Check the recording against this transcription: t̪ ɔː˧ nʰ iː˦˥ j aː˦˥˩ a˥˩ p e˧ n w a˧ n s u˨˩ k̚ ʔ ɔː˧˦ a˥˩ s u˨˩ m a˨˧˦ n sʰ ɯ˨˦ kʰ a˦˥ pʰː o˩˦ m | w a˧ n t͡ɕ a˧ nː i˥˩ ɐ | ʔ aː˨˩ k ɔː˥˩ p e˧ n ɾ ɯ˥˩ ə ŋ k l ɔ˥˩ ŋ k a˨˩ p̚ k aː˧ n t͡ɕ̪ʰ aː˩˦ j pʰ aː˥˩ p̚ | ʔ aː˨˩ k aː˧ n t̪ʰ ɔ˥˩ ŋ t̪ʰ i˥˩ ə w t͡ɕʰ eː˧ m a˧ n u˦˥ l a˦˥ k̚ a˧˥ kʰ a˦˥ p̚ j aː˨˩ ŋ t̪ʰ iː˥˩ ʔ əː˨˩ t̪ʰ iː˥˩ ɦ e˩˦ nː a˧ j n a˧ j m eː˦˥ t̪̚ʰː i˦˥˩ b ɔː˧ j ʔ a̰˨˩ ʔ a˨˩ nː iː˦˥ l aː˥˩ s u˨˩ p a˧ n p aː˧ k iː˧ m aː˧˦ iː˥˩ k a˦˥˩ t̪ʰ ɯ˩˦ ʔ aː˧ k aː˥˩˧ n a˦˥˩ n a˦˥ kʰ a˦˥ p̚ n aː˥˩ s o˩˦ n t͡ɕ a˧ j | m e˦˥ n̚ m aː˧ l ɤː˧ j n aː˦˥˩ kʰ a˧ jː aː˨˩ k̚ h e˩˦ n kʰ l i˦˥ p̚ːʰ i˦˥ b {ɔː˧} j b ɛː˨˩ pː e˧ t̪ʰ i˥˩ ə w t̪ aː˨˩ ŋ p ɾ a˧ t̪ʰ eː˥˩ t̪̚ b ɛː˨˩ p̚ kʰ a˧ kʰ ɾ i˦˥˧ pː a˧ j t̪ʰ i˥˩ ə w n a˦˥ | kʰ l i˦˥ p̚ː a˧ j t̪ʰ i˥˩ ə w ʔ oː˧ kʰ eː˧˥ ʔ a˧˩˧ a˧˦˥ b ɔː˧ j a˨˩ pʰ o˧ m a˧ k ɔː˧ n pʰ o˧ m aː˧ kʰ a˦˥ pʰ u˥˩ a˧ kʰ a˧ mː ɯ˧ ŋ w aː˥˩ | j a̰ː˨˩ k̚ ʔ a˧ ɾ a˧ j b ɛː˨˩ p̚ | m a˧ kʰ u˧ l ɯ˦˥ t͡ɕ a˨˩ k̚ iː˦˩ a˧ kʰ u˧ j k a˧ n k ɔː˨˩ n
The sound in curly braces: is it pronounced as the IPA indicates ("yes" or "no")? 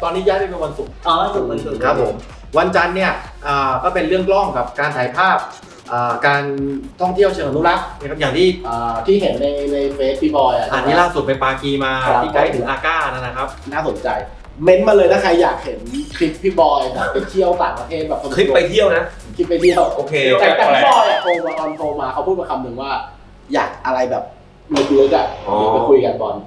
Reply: yes